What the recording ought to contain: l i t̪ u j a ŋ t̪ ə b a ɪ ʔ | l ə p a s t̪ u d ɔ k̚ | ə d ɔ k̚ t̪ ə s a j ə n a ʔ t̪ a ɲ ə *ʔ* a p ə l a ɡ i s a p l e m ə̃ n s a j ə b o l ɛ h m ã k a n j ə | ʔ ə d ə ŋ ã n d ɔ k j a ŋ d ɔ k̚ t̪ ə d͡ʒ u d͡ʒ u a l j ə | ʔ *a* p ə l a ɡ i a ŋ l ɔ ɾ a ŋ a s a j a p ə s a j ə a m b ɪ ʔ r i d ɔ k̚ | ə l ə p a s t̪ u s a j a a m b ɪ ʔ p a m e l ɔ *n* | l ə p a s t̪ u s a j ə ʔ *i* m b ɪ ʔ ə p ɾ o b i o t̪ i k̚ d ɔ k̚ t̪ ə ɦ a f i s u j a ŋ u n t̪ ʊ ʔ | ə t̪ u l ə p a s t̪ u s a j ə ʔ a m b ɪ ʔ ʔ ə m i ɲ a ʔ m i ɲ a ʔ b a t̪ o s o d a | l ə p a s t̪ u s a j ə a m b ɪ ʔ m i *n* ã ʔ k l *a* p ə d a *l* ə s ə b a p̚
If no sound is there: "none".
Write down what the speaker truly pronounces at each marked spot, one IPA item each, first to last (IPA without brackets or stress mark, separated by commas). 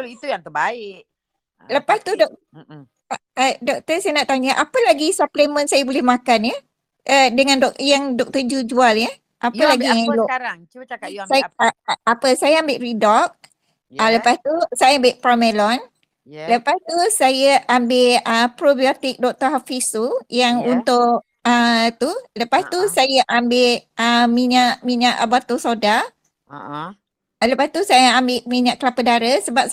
ʔ, a, n, a, ɲ, a, ɾ